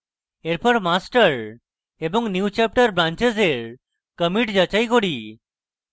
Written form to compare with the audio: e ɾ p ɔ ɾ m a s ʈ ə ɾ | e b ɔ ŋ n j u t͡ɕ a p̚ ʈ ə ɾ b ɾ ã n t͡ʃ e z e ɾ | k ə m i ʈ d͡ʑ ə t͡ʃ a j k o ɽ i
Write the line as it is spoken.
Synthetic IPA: e ɾ p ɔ ɾ m a s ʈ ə ɾ | e b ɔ ŋ n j u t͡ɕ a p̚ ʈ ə ɾ b ɾ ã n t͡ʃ e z e ɾ | k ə m i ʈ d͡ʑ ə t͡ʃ a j k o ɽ i